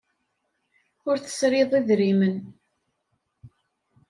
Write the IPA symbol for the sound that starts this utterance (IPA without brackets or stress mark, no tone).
ʊ